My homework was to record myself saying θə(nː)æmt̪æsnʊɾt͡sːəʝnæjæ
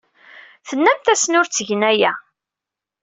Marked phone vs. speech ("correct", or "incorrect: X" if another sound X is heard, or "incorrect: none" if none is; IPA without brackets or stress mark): correct